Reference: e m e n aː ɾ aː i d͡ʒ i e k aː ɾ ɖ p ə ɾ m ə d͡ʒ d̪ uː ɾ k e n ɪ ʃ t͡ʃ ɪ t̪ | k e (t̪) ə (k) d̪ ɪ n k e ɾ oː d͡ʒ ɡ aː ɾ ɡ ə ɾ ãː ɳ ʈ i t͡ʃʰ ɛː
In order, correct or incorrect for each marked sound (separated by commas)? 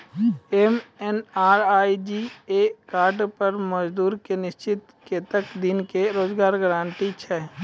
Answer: correct, correct